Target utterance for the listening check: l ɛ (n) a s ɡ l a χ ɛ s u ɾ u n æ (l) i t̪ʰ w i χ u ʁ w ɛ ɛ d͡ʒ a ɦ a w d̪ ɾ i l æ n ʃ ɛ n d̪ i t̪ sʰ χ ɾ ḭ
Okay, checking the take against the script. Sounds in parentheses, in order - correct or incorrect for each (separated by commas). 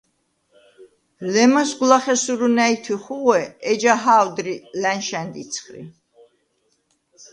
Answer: incorrect, incorrect